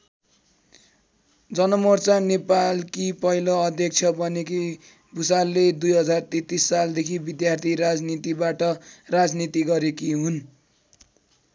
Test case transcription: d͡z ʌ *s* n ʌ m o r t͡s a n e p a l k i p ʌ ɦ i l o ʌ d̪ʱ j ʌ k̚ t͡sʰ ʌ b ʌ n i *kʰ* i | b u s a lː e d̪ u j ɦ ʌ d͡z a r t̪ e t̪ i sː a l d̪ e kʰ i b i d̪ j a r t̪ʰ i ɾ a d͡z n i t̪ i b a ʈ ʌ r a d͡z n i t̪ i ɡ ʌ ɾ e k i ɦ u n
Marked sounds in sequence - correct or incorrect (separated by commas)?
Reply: incorrect, incorrect